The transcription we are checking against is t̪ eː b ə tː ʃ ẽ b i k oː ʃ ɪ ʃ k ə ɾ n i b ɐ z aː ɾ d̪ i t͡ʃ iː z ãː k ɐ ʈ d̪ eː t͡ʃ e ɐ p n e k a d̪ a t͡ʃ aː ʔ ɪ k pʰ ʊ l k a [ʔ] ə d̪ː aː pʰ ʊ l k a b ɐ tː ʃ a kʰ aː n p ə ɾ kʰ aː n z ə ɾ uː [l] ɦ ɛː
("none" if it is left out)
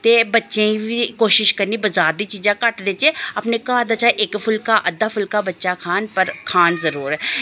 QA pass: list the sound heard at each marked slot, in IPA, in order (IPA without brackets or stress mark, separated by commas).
ʔ, ɾ